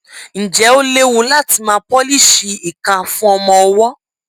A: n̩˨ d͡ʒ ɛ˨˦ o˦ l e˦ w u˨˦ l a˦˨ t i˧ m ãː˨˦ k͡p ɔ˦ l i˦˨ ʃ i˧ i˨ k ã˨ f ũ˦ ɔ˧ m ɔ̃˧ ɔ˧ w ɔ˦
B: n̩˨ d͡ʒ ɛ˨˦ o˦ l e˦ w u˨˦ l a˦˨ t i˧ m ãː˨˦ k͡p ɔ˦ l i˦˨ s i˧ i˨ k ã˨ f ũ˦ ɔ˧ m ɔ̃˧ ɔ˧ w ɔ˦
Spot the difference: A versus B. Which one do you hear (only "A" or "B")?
A